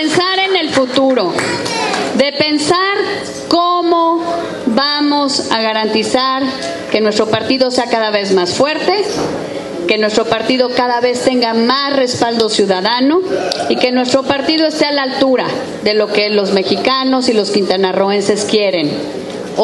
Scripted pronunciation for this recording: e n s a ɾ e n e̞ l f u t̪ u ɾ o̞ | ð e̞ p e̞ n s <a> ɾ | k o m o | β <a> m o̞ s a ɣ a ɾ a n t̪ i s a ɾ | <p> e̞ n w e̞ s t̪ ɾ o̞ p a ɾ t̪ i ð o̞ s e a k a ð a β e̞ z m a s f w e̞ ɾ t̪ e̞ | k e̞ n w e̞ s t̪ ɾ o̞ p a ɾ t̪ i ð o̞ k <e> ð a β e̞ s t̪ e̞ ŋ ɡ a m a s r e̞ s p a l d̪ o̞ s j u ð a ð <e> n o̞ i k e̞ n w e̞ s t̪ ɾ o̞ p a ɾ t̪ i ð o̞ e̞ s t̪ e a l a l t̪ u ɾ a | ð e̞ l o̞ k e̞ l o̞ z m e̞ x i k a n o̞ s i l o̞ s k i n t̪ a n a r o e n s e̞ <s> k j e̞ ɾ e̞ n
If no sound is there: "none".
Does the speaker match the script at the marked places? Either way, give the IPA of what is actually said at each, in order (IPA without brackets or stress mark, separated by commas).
a, a, k, a, a, s